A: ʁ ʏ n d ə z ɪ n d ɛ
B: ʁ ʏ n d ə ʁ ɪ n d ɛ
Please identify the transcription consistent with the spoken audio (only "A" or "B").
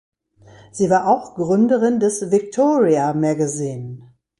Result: B